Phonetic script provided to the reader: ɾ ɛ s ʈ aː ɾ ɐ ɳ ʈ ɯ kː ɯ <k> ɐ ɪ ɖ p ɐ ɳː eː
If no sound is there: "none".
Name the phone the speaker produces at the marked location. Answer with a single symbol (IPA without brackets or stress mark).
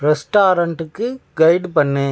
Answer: ɡ